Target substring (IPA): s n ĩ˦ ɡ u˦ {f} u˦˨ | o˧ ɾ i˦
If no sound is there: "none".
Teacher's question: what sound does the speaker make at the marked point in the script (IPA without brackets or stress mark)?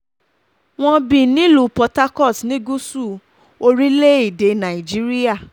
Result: s